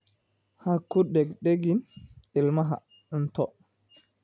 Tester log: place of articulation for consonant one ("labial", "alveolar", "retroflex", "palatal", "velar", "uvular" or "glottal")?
glottal